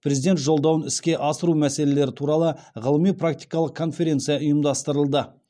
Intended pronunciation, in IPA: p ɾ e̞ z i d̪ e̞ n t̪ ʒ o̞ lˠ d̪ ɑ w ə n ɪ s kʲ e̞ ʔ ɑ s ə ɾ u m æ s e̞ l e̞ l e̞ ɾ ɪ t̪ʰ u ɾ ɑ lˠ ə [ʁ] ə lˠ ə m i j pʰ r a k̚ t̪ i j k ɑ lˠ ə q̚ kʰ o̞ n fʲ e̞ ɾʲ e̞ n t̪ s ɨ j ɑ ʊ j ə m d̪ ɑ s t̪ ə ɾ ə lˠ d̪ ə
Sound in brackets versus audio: correct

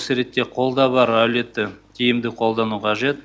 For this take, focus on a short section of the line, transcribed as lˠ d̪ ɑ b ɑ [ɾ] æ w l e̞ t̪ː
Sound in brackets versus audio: correct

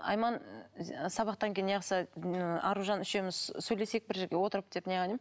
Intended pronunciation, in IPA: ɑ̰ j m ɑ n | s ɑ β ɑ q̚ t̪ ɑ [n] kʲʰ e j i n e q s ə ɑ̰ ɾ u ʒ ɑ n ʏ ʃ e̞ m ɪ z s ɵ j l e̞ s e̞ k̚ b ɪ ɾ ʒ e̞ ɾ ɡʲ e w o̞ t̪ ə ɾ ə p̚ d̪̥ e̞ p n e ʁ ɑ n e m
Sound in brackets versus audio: incorrect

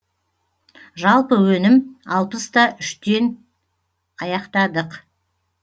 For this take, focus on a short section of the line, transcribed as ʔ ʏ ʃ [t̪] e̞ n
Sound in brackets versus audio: correct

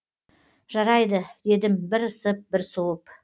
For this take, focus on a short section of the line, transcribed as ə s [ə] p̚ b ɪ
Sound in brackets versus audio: correct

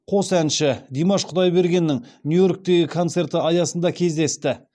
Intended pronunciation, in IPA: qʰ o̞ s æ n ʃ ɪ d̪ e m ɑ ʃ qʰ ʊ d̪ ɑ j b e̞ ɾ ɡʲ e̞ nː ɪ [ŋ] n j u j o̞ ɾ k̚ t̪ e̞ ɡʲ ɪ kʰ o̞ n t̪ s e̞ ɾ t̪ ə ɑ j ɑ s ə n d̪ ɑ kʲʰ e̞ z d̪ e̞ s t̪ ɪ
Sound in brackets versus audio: correct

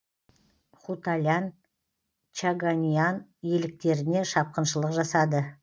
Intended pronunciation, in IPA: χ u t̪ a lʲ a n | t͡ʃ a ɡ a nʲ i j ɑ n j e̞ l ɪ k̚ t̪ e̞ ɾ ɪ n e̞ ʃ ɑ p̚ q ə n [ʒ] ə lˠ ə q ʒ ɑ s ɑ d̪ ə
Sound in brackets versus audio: incorrect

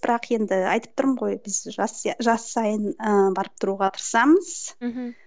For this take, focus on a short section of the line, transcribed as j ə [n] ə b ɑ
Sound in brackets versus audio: correct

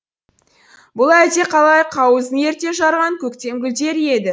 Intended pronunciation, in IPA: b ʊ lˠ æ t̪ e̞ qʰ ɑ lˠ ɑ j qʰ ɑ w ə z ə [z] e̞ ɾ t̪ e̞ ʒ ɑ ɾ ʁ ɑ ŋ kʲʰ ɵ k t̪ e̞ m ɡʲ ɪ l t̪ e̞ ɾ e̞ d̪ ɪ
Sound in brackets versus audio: incorrect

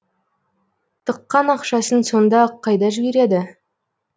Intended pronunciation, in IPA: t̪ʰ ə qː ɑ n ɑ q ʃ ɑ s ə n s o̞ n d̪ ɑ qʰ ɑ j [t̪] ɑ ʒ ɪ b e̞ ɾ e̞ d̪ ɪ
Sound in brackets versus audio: incorrect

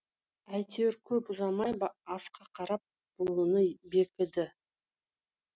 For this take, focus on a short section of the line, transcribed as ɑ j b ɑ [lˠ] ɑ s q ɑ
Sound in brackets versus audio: incorrect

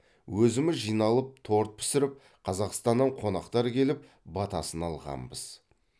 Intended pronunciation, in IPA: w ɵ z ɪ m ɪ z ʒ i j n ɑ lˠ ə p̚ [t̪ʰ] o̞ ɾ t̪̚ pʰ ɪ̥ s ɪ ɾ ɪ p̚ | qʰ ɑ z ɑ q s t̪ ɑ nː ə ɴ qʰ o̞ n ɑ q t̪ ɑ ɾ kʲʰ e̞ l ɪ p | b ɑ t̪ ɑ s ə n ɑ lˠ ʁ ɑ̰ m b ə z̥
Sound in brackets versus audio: correct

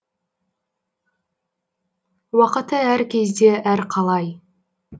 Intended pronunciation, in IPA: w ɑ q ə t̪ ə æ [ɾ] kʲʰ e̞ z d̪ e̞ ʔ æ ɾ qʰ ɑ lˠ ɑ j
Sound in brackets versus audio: correct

